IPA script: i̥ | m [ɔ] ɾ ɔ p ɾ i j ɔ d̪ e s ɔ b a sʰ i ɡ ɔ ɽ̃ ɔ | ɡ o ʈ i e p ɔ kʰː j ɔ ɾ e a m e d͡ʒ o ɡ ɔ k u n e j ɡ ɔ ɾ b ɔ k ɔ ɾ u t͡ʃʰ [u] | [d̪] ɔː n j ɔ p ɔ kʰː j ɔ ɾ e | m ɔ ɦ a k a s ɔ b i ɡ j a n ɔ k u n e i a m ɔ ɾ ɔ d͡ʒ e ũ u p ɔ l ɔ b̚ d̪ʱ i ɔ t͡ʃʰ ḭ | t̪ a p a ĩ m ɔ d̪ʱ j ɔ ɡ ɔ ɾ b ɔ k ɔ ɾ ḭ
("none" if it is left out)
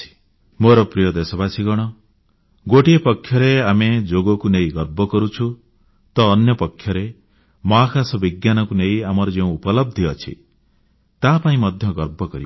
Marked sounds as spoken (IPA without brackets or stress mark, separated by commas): o, u, t̪